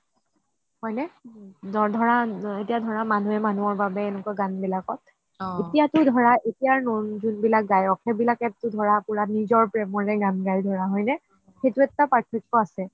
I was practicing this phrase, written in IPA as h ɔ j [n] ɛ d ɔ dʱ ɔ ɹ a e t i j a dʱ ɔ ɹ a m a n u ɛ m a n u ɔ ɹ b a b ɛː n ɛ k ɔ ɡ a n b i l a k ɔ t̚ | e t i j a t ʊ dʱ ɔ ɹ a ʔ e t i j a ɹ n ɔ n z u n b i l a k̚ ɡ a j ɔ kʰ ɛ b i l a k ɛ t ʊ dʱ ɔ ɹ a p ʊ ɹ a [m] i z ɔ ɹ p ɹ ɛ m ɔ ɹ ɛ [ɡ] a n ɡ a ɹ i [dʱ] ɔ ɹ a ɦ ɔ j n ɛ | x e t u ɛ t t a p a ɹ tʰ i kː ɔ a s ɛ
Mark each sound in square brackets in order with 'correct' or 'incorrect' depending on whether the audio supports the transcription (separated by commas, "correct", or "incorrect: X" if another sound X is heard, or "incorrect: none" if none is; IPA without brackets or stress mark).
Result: correct, incorrect: n, correct, correct